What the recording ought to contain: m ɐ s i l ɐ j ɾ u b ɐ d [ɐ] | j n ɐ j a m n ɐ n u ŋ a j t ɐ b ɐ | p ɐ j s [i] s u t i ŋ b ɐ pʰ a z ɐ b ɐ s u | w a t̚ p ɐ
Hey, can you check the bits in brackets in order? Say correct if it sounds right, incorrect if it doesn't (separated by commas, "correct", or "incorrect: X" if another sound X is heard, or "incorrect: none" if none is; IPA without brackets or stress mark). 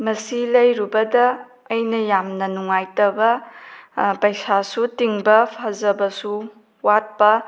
incorrect: ɐː, incorrect: a